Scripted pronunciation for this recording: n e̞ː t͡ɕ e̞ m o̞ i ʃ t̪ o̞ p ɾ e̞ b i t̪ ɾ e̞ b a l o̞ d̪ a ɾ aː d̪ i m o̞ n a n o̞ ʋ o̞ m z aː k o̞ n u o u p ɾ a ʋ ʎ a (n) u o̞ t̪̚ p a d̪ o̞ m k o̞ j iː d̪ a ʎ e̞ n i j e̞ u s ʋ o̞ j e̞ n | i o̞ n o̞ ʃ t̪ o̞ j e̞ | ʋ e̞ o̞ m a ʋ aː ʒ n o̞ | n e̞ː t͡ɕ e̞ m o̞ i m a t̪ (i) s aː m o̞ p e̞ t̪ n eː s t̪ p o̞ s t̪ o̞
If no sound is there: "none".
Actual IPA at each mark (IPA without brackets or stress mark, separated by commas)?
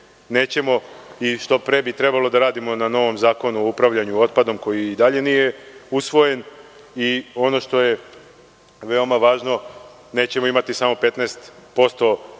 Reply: ɲ, i